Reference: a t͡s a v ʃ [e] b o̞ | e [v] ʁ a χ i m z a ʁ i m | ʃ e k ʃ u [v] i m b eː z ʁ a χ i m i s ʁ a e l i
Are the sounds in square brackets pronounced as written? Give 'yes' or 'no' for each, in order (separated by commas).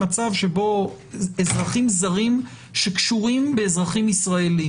yes, no, no